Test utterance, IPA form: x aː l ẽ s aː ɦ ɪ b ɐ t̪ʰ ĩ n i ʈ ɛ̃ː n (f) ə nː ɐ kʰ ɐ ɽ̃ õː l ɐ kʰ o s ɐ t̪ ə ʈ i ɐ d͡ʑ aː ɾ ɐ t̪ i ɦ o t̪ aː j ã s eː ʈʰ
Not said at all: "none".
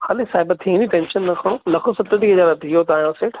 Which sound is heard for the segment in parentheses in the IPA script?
ʃ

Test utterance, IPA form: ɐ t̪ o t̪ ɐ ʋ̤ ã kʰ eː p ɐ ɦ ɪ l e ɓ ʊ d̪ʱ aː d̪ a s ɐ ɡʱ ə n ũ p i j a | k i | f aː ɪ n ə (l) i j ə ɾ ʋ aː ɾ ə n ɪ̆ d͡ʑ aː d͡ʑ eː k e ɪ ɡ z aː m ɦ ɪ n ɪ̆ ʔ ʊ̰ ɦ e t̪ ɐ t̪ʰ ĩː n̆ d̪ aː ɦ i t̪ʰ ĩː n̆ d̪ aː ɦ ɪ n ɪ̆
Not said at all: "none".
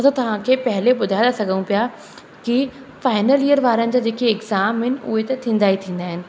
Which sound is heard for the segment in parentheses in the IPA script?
l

